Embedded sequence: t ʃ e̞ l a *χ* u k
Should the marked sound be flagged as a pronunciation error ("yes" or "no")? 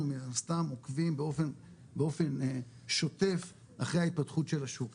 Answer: yes